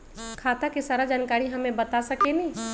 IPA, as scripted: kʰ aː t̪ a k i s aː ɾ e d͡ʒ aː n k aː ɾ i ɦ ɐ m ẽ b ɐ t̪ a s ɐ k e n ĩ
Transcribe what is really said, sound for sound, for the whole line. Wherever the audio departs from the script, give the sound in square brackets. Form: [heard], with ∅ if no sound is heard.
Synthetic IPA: kʰ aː t̪ a k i s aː ɾ [a] d͡ʒ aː n k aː ɾ i ɦ ɐ m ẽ b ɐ t̪ a s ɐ k e n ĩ